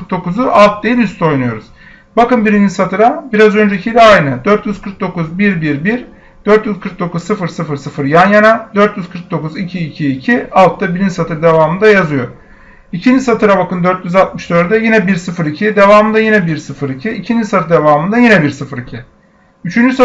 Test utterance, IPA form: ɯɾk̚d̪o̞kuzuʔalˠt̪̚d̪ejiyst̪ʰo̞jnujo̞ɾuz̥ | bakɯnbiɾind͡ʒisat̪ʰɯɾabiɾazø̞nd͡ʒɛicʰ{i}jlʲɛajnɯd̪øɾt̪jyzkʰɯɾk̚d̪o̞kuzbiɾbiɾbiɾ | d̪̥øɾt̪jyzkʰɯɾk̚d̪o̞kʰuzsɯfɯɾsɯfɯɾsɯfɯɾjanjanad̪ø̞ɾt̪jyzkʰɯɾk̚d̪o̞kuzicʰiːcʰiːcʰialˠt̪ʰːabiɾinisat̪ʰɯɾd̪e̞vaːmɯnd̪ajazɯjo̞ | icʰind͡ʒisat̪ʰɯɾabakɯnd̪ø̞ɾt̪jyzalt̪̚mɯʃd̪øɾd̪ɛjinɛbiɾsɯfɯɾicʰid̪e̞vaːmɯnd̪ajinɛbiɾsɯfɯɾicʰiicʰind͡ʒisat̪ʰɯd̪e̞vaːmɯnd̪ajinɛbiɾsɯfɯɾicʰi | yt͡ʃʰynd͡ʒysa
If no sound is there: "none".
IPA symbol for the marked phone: i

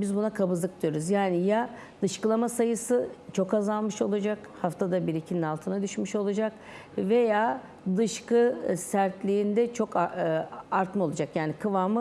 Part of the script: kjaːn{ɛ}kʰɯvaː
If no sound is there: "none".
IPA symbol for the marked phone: i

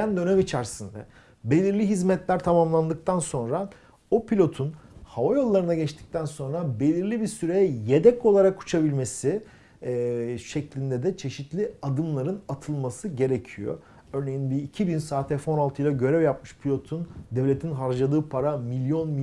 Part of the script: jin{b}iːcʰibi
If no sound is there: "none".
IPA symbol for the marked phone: b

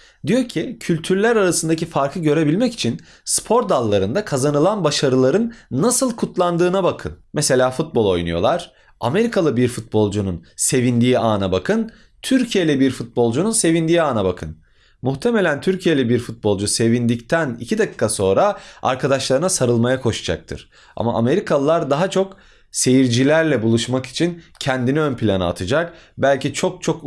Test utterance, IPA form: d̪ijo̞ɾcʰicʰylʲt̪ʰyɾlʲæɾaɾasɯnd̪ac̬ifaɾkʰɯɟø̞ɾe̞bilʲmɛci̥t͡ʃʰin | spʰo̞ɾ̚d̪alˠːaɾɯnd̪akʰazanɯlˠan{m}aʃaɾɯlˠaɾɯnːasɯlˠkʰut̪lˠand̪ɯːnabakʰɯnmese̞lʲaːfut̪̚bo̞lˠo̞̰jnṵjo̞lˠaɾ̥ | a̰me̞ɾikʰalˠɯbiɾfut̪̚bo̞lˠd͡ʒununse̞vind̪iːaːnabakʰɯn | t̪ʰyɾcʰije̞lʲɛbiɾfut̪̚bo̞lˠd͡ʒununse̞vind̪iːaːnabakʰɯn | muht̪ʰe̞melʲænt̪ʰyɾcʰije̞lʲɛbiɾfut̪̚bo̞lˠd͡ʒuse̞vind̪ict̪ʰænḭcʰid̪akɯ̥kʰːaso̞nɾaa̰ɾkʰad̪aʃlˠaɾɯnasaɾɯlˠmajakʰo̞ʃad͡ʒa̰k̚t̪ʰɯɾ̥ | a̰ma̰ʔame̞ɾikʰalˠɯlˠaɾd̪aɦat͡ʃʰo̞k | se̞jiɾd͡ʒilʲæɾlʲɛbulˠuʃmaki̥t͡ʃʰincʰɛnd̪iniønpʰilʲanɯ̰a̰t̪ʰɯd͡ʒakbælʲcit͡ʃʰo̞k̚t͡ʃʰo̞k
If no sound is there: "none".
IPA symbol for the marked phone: b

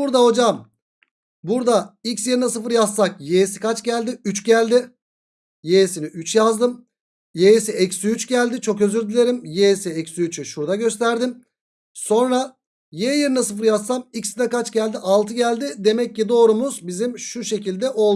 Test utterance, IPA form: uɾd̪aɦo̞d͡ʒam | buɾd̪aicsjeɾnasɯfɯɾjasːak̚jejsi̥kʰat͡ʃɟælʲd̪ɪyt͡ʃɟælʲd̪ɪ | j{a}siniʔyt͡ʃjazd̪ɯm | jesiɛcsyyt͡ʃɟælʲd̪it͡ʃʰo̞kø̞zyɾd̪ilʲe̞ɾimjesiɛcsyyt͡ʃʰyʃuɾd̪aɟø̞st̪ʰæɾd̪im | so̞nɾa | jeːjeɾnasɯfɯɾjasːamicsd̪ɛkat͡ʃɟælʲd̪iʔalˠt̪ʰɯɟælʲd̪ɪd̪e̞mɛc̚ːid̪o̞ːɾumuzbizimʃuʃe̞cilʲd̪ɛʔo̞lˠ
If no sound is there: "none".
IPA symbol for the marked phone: e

